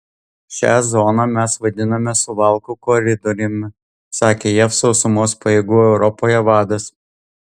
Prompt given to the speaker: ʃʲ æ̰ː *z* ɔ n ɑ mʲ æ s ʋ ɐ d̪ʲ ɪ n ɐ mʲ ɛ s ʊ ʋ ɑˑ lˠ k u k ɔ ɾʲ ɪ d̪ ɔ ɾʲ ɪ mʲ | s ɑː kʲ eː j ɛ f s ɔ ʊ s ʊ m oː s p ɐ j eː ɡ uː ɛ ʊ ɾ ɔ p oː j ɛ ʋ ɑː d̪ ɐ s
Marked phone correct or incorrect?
correct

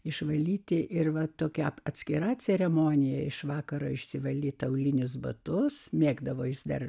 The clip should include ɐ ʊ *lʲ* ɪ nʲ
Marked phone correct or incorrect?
correct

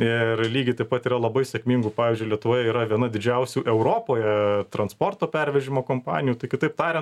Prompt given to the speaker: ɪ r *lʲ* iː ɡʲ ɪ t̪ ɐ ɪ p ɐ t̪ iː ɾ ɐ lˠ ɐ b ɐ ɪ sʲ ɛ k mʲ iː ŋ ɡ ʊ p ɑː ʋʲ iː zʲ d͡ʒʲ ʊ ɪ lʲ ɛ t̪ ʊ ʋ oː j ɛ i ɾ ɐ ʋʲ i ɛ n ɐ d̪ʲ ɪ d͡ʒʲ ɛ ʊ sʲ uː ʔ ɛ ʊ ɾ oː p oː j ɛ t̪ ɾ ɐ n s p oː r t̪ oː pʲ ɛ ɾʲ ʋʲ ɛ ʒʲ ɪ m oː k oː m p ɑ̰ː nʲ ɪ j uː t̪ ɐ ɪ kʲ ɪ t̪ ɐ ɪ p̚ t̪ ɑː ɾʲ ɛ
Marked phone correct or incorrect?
correct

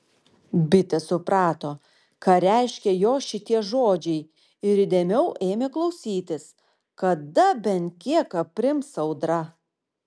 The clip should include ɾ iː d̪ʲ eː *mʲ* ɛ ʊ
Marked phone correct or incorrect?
correct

